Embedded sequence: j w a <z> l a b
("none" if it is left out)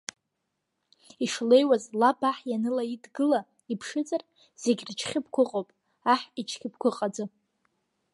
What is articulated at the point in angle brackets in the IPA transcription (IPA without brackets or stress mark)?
z